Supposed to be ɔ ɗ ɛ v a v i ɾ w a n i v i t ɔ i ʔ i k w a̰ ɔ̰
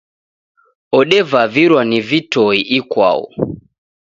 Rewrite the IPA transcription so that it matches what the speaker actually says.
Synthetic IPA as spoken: ɔ ɗ ɛ v a v i ɾ w a n i v i t ɔ i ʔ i k w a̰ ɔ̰